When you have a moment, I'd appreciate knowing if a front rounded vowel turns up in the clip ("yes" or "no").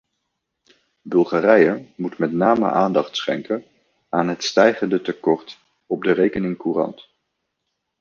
no